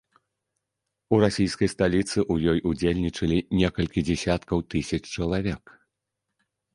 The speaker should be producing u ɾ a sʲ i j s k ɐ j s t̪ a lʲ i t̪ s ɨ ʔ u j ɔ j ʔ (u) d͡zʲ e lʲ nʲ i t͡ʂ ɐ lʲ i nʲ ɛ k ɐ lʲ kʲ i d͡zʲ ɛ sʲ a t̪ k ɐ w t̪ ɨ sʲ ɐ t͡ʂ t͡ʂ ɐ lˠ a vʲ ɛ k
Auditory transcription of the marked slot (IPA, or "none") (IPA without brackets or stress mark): u